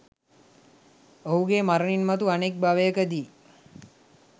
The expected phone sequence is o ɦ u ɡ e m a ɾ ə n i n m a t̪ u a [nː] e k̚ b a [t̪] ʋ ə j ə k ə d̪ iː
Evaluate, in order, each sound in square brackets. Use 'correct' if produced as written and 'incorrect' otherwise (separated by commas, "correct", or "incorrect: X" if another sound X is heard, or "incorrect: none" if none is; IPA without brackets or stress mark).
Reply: incorrect: n, incorrect: none